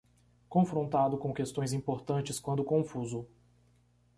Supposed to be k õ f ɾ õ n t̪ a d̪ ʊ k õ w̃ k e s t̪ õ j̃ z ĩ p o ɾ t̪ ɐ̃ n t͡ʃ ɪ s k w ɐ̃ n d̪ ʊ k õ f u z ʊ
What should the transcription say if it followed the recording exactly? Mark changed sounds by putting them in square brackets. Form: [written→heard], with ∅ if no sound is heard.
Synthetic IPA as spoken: k õ f ɾ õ n t̪ a d̪ ʊ k õ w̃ k e s t̪ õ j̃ z ĩ p o ɾ t̪ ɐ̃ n t͡ʃ ɪ s k w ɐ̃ n d̪ ʊ k õ f u z ʊ